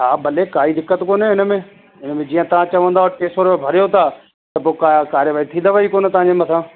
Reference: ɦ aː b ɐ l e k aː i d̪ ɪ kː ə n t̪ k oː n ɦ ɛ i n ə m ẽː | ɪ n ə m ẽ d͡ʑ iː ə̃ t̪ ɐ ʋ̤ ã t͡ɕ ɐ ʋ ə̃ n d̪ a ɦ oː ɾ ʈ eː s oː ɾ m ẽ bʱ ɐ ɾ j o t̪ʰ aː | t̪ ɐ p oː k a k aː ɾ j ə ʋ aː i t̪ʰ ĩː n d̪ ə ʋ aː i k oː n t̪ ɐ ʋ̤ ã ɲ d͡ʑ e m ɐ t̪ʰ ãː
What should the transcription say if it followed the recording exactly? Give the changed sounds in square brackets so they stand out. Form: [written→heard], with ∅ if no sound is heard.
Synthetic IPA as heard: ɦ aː b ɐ l e k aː i d̪ ɪ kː ə [n→∅] t̪ k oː n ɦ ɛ [i→ɪ] n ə m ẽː | ɪ n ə m ẽ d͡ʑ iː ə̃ t̪ ɐ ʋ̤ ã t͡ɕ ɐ ʋ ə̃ n d̪ a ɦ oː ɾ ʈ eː s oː ɾ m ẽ bʱ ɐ ɾ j o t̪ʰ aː | t̪ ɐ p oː k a k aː ɾ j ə ʋ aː i t̪ʰ ĩː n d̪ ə ʋ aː i k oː n t̪ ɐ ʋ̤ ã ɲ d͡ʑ e m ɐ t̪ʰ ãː